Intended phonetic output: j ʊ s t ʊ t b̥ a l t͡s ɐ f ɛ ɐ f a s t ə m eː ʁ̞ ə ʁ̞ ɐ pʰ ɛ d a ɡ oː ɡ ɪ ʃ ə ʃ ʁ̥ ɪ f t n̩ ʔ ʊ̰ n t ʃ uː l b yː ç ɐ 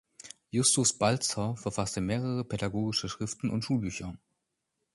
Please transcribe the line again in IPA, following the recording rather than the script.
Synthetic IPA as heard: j ʊ s t ʊ s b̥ a l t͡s ɐ f ɛ ɐ f a s t ə m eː ʁ̞ ə ʁ̞ ə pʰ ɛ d a ɡ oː ɡ ɪ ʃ ə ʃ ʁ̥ ɪ f t n̩ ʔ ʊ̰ n t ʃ uː l b yː ç ɐ